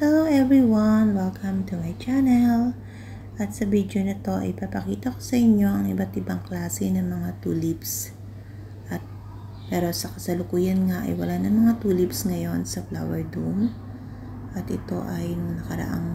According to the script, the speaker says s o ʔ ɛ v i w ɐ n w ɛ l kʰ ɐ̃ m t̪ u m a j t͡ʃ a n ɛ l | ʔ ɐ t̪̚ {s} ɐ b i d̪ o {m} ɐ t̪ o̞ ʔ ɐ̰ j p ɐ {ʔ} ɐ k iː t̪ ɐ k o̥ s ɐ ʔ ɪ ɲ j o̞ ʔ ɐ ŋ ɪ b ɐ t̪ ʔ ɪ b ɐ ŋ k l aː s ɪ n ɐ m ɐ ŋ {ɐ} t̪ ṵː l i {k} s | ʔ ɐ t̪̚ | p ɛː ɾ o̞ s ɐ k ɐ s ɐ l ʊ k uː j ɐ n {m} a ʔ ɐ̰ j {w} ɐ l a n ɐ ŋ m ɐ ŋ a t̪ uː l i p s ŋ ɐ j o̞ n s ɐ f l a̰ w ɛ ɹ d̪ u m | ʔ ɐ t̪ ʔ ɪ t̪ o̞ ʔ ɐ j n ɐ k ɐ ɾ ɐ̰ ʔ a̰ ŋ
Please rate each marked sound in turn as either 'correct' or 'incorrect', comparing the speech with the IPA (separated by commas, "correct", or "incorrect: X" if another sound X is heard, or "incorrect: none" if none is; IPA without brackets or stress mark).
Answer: correct, incorrect: n, incorrect: p, incorrect: a, incorrect: p, incorrect: ŋ, correct